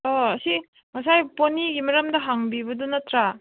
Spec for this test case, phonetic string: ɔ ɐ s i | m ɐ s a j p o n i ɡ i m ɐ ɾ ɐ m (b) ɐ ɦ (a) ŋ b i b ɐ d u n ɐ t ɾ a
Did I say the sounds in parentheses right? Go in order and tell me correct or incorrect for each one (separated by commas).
incorrect, correct